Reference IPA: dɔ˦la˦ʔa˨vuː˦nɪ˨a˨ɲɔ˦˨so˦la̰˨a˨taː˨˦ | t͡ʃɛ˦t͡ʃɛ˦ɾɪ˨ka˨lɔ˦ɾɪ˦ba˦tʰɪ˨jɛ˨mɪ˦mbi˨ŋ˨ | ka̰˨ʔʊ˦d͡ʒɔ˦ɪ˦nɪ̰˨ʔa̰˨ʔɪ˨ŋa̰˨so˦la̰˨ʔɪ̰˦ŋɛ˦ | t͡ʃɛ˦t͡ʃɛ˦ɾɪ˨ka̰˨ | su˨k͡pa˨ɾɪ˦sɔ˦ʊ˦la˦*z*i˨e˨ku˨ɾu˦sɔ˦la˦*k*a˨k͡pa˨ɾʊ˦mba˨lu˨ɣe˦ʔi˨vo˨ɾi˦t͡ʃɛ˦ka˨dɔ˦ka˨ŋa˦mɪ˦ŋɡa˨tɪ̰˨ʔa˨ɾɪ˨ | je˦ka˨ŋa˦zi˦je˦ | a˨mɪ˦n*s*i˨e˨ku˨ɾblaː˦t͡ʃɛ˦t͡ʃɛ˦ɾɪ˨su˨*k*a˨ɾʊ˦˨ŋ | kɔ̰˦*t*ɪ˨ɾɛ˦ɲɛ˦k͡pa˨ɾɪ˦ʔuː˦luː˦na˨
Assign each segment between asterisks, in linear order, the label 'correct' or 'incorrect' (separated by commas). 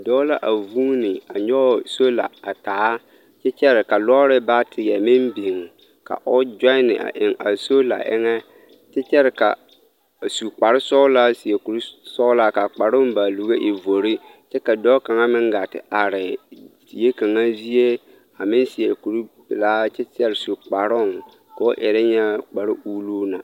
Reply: incorrect, correct, correct, incorrect, incorrect